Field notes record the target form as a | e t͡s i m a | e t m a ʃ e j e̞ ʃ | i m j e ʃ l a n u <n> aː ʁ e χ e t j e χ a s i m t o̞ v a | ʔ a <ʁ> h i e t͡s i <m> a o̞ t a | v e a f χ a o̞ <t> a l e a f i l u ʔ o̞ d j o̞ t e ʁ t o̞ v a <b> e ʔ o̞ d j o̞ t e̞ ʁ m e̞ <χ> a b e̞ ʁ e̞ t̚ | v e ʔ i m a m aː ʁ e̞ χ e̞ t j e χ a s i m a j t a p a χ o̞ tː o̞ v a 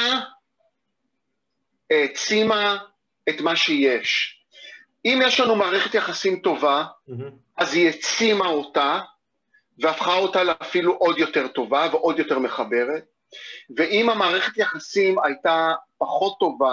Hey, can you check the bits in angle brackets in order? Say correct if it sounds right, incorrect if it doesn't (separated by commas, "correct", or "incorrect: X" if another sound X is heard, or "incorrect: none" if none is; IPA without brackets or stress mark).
incorrect: m, incorrect: z, correct, correct, incorrect: v, correct